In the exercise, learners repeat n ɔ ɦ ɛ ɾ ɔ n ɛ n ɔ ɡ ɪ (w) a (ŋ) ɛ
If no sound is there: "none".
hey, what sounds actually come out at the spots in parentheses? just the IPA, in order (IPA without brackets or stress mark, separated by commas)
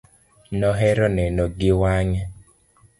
w, ɲ